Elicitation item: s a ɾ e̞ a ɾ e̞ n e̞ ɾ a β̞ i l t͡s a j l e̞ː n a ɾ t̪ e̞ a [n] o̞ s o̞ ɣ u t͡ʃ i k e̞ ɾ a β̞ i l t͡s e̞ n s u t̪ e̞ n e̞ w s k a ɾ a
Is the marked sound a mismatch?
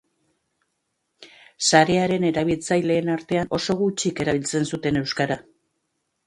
no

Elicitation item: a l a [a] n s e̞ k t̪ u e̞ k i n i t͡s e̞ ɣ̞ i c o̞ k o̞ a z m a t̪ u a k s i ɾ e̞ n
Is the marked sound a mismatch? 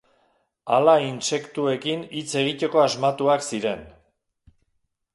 yes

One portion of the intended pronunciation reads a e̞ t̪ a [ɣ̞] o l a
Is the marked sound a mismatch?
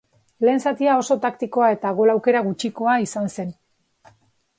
no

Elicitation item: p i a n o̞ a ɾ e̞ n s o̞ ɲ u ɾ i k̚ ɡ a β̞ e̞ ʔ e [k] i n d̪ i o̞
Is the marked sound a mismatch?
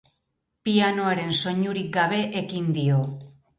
no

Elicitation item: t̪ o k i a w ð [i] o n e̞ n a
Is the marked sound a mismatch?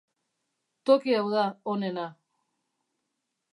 yes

